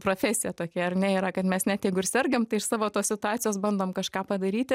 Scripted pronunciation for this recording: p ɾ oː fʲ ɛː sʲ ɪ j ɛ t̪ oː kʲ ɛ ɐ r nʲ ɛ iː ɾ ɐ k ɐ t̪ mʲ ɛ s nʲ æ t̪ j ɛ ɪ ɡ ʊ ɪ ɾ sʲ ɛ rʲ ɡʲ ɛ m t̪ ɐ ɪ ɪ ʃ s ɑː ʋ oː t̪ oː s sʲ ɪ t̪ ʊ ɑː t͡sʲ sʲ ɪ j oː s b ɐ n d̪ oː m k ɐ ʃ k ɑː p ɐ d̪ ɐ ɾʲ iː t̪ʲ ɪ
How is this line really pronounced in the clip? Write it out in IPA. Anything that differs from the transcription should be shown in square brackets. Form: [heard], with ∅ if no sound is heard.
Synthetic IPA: p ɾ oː fʲ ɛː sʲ ɪ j ɛ t̪ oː kʲ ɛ ɐ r nʲ ɛ iː ɾ ɐ k ɐ t̪ mʲ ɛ s nʲ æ t̪ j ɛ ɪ ɡ ʊ ɪ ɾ sʲ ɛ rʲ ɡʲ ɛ m t̪ ɐ ɪ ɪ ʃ s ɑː ʋ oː t̪ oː s sʲ ɪ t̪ ʊ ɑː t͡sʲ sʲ ɪ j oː s b ɐ n d̪ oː m k ɐ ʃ k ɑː p ɐ d̪ ɐ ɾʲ iː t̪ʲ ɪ